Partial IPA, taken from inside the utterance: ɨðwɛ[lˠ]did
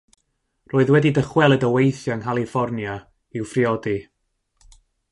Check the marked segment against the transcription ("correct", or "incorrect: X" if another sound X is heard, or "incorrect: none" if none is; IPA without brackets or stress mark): incorrect: none